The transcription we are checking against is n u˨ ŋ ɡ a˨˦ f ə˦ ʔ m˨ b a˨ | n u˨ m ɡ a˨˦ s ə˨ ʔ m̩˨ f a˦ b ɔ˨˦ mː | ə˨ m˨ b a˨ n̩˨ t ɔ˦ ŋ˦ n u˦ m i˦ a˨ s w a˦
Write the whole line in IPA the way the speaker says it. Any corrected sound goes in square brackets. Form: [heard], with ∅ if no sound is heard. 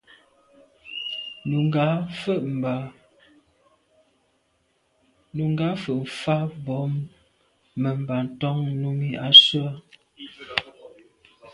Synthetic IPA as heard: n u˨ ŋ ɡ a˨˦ f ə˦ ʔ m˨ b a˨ | n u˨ [ŋ] ɡ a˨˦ [f] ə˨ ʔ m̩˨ f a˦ b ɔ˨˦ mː | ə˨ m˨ b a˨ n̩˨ t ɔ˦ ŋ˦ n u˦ m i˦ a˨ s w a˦